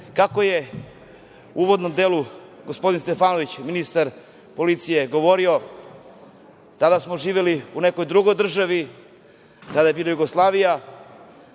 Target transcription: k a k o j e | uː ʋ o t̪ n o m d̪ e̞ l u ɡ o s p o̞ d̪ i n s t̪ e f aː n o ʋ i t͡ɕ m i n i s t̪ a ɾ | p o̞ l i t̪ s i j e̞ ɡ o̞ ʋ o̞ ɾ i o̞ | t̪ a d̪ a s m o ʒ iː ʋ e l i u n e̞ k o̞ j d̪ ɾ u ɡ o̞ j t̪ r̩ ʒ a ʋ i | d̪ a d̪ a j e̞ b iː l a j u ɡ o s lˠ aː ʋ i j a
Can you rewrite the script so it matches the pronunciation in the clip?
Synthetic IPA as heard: k a k o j e | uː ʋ o d̪ n o m d̪ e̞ l u ɡ o s p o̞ d̪ i n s t̪ e f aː n o ʋ i t͡ɕ m i n i s t̪ a ɾ | p o̞ l i t̪ s i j e̞ ɡ o̞ ʋ o̞ ɾ i o̞ | t̪ a d̪ a s m o ʒ iː ʋ e l i u n e̞ k o̞ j d̪ ɾ u ɡ o̞ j d̪ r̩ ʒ a ʋ i | t̪ a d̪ a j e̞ b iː l a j u ɡ o s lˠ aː ʋ i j a